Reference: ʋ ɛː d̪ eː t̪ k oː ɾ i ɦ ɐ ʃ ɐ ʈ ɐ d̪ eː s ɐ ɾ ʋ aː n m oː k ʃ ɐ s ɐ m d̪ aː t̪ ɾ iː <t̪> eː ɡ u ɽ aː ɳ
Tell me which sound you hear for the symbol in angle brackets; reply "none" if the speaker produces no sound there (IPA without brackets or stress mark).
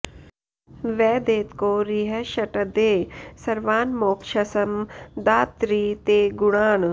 t̪